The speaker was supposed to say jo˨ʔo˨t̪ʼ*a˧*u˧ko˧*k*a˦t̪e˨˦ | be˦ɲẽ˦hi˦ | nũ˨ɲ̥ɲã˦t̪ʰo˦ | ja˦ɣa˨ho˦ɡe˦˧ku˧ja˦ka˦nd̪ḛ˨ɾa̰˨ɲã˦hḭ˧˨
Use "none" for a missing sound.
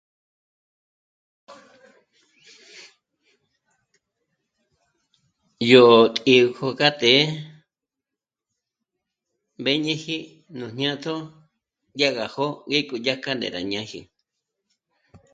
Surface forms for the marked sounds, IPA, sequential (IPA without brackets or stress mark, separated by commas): i˧, k